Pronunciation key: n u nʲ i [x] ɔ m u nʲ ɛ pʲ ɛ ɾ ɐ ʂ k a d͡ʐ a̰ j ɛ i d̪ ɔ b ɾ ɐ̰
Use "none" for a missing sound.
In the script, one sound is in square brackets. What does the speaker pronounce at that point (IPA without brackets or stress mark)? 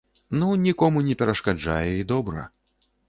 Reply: k